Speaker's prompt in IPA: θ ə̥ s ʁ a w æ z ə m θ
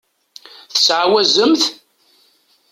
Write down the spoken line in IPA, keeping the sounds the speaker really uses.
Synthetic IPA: θ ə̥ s ʕ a w æ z ə m θ